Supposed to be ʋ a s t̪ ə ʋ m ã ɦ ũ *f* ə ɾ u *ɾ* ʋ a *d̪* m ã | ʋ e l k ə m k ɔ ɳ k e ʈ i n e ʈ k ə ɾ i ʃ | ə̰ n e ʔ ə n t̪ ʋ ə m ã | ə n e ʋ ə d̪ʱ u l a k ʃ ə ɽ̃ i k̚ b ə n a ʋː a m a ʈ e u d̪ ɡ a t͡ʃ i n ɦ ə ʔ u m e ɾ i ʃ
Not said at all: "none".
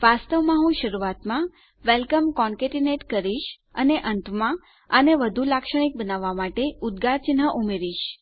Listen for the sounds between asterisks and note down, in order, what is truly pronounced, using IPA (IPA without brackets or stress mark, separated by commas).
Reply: ʃ, none, t̪